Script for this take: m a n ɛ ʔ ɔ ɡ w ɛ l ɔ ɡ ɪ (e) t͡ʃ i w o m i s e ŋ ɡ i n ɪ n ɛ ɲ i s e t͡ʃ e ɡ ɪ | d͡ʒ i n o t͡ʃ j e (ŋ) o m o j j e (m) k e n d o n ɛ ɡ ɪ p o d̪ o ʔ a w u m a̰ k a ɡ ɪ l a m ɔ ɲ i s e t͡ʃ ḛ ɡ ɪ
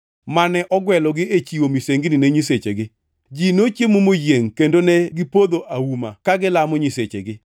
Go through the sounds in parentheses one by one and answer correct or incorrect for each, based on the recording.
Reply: correct, incorrect: m, incorrect: ŋ

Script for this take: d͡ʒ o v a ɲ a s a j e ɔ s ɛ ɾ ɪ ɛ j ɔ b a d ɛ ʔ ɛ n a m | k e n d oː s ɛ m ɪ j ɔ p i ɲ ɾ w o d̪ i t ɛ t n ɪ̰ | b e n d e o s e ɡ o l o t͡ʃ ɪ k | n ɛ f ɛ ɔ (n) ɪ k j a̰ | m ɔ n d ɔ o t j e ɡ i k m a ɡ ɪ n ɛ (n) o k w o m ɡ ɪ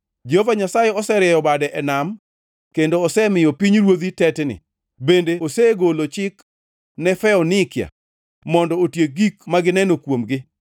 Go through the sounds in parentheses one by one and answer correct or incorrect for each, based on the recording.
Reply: correct, correct

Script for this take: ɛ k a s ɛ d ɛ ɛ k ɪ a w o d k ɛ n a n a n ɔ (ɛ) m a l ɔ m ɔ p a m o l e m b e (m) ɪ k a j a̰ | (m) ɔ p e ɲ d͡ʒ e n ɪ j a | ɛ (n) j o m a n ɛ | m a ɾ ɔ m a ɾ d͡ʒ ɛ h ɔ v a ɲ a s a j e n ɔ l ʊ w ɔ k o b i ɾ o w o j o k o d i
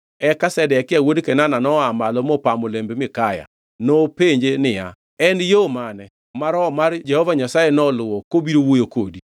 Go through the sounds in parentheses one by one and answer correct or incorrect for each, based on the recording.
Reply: incorrect: a, correct, incorrect: n, correct

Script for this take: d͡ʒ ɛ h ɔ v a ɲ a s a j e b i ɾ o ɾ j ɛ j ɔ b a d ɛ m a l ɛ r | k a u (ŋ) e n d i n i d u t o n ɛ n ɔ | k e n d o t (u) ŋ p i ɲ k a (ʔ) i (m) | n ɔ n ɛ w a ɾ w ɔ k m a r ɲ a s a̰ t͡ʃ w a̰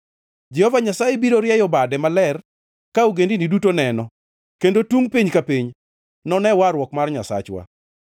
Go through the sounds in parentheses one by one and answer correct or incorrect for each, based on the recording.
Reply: incorrect: ɡ, correct, incorrect: p, incorrect: ɲ

